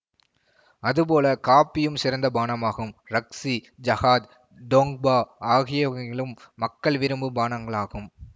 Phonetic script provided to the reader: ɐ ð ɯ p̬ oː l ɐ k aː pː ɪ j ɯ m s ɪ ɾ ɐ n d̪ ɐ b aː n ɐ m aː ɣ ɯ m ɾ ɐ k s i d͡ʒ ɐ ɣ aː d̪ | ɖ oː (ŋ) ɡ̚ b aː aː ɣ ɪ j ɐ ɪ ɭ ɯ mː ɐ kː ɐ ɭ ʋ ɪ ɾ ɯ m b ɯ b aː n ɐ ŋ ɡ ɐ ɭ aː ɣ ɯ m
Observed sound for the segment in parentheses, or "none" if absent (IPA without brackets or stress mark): ŋ